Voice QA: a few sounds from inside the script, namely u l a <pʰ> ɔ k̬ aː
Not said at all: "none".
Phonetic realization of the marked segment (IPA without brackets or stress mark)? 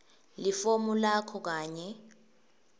kʰ